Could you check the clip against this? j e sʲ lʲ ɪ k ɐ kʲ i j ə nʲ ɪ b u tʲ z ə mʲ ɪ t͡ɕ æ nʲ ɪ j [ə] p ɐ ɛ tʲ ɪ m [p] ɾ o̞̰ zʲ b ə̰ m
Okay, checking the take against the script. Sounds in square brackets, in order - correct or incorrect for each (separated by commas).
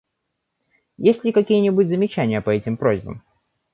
correct, correct